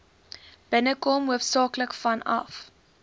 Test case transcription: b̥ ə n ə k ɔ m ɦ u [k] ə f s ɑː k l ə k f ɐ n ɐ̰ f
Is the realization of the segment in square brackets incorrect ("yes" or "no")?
yes